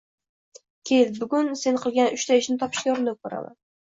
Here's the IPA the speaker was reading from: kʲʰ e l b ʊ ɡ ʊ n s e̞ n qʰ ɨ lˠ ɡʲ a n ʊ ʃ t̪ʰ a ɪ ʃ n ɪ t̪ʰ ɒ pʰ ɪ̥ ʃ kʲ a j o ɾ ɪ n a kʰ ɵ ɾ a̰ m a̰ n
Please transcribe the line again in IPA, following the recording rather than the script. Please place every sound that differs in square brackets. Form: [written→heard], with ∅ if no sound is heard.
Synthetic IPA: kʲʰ e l b ʊ ɡ ʊ n s e̞ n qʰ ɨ lˠ ɡʲ a n ʊ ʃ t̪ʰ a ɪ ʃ n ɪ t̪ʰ ɒ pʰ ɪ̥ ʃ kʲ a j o ɾ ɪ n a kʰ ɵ ɾ a̰ m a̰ n